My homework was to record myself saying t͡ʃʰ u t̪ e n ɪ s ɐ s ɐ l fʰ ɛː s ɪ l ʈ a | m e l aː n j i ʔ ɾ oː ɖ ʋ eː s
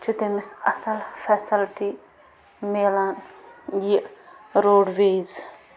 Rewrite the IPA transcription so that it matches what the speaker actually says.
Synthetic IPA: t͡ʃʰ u t̪ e m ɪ s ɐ s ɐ l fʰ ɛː s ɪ l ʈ i | m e l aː n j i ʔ ɾ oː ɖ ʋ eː z